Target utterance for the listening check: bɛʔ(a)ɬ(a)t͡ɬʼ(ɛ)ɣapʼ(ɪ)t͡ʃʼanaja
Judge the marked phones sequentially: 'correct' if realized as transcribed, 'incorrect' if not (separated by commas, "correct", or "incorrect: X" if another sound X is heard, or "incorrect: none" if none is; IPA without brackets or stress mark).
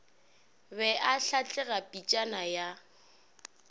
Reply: correct, correct, correct, incorrect: i